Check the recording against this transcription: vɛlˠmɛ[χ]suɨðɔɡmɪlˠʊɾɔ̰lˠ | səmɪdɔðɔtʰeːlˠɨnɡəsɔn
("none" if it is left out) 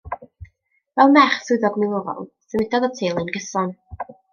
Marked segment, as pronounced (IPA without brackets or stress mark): χ